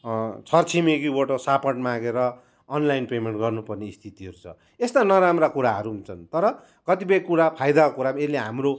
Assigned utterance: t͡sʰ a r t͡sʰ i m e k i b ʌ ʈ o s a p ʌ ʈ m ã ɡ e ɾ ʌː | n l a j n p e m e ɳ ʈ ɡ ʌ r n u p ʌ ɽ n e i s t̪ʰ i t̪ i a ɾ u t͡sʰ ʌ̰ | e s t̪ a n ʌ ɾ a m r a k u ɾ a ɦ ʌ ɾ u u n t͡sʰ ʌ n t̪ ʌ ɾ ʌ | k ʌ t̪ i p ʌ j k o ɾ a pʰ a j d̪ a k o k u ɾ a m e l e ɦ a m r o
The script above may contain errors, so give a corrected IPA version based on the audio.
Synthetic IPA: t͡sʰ ʌ r t͡sʰ i m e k i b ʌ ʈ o s a p ʌ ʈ m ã ɡ e ɾ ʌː | n l a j n p e m e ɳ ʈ ɡ ʌ r n u p ʌ r n e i s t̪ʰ i t̪ i ʌ ɾ u t͡sʰ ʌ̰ | e s t̪ a n ʌ ɾ a m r a k u ɾ a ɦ ʌ ɾ u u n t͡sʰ ʌ n t̪ ʌ ɾ ʌ | k ʌ t̪ i p ʌ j k u ɾ a pʰ a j d̪ a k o k u ɾ a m e l e ɦ a m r o